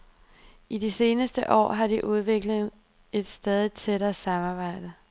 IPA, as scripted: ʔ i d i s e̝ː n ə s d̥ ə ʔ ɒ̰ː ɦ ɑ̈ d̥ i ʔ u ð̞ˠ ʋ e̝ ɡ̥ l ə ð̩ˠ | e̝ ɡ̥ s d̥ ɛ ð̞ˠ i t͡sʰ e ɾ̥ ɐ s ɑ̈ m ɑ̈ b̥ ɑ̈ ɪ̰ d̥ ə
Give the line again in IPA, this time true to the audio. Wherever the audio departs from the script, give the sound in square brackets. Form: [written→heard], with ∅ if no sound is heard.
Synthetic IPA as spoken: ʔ i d i s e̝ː n ə s d̥ ə ʔ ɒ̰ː ɦ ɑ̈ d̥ i ʔ u ð̞ˠ ʋ e̝ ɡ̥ l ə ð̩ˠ | e̝ [ɡ̥→d̥] s d̥ ɛ ð̞ˠ i t͡sʰ e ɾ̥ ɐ s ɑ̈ m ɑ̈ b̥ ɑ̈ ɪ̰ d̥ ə